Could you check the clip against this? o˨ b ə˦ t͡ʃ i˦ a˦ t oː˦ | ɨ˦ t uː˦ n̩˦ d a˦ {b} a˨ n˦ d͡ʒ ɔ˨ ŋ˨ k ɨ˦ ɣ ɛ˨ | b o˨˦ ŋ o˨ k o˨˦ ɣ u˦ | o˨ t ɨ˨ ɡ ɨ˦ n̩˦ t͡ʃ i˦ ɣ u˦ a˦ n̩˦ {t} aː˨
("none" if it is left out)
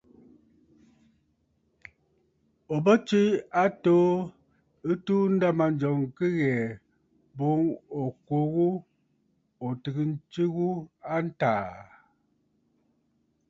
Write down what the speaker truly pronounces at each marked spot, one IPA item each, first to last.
m, t

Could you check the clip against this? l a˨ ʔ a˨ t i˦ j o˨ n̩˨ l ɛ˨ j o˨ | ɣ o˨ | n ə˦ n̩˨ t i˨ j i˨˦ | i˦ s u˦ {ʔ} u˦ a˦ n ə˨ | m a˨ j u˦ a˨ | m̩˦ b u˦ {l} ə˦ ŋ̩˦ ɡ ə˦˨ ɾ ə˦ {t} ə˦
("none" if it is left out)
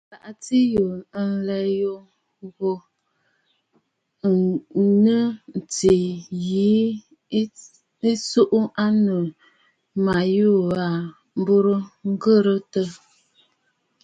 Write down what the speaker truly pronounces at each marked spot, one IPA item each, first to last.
ʔ, ɾ, t

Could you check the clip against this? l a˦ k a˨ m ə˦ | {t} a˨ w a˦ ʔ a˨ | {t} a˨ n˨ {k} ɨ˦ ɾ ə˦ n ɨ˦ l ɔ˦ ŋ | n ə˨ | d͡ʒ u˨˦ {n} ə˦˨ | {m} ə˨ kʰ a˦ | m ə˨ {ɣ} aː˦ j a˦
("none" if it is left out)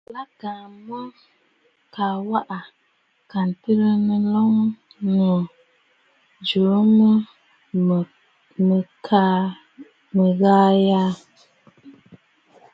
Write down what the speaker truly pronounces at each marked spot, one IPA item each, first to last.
k, k, t, m, m, ɣ

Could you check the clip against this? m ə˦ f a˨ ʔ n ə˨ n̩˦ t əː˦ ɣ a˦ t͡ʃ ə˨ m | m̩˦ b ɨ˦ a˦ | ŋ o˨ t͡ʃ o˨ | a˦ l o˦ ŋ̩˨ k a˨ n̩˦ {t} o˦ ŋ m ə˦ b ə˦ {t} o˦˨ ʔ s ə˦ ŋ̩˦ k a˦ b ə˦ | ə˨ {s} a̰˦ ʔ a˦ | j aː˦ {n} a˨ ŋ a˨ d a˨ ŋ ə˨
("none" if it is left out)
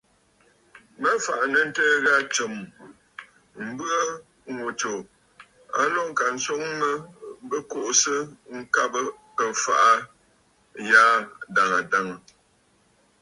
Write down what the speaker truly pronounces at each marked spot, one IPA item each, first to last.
s, k, f, d

